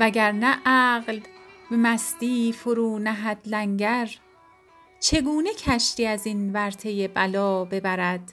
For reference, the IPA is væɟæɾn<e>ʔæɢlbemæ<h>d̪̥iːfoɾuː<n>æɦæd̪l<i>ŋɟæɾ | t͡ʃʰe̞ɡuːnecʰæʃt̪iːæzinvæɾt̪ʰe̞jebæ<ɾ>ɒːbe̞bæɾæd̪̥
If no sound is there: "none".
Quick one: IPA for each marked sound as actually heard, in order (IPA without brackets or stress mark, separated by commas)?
æ, s, n, æ, l